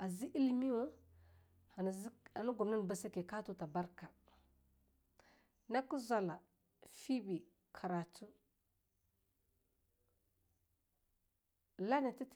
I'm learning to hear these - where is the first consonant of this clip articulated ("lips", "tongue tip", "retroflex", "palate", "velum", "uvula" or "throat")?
tongue tip